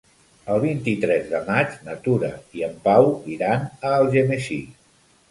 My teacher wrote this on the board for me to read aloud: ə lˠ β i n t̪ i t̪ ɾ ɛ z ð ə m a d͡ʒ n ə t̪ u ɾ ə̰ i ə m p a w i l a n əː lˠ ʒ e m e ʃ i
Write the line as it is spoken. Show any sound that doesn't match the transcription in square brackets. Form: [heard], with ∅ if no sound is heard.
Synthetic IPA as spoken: ə lˠ β i n t̪ i t̪ ɾ ɛ z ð ə m a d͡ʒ n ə t̪ u ɾ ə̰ i ə m p a w i [ɾ] a n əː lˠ ʒ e m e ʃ i